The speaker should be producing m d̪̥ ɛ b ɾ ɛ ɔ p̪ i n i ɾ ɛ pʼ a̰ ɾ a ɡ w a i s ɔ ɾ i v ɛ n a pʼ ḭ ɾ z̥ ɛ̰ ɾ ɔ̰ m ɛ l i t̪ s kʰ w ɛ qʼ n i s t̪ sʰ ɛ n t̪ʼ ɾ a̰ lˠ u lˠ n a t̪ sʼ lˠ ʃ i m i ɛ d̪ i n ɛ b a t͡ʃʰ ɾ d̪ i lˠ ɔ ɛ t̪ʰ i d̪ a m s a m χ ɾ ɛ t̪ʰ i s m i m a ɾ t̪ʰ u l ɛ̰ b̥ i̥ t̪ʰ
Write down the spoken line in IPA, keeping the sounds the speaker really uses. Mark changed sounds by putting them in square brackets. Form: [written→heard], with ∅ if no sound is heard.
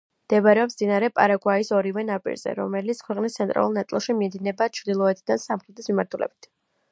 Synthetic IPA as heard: m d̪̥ ɛ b ɾ ɛ ɔ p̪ i n [i→a] ɾ ɛ pʼ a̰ ɾ a ɡ w a i s ɔ ɾ i v ɛ n a pʼ ḭ ɾ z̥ ɛ̰ ɾ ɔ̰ m ɛ l i t̪ s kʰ w ɛ qʼ n i s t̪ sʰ ɛ n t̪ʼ ɾ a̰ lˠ u lˠ n a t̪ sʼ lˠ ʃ i m i ɛ d̪ i n ɛ b a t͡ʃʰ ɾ d̪ i lˠ ɔ ɛ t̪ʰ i d̪ a [m→n] s a m χ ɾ ɛ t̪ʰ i s m i m a ɾ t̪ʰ u l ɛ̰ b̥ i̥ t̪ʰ